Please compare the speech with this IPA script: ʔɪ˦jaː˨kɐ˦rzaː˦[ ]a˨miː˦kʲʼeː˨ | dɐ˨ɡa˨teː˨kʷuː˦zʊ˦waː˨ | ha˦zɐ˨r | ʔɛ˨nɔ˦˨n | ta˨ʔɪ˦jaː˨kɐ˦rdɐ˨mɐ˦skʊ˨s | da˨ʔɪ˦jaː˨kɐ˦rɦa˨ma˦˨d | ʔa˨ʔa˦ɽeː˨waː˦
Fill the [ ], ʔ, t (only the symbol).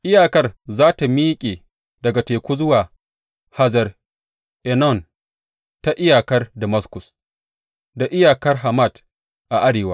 t